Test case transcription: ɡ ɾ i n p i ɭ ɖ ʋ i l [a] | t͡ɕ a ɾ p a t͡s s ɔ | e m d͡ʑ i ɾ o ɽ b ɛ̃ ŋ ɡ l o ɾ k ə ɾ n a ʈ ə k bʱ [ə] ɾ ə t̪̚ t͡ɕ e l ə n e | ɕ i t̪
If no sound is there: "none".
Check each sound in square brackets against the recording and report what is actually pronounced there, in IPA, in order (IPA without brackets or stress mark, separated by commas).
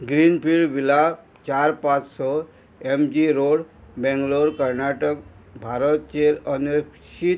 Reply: a, a